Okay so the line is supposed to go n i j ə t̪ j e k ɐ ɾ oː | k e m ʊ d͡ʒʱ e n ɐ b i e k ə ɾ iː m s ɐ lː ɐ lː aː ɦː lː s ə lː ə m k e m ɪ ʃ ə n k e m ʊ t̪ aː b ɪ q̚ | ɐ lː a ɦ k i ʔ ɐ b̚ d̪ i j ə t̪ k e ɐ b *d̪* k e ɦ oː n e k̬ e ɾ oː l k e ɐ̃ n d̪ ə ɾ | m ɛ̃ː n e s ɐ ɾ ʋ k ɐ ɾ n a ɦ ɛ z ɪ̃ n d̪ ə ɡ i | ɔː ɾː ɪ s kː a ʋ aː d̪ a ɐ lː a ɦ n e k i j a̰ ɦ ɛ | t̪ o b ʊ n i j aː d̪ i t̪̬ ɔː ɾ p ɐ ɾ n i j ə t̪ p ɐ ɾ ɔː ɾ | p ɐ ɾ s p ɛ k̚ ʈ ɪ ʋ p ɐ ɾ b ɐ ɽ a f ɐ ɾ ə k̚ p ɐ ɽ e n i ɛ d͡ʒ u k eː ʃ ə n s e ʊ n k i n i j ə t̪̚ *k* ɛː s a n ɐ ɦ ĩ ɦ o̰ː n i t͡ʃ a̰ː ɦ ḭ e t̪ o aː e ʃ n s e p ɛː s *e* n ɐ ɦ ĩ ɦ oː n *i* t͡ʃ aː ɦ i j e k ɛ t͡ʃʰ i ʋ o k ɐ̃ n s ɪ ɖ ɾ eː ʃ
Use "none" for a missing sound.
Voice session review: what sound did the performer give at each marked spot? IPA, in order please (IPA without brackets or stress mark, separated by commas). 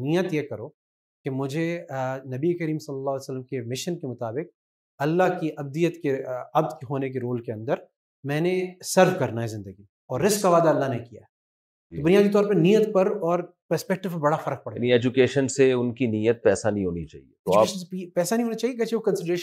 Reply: d̪, p, a, a